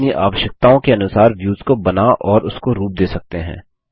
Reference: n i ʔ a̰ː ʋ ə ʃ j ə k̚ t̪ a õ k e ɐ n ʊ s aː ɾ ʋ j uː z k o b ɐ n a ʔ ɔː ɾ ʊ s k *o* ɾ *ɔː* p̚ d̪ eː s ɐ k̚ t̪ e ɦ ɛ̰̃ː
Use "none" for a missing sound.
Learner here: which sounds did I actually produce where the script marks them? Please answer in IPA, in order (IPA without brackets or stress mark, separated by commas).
o, uː